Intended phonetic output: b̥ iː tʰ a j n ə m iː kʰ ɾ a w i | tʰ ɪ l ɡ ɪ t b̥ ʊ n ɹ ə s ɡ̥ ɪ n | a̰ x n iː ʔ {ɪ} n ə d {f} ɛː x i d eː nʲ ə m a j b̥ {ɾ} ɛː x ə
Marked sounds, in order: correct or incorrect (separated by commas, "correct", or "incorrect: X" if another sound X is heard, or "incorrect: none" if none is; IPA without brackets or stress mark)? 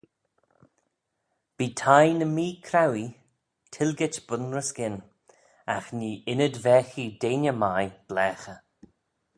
correct, incorrect: v, incorrect: l